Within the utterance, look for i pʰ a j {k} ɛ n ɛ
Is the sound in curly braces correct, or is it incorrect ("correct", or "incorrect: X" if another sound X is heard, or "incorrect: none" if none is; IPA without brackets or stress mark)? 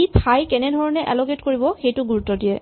correct